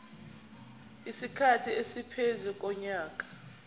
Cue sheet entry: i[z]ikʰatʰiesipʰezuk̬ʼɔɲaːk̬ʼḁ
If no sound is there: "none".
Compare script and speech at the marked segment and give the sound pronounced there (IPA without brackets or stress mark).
s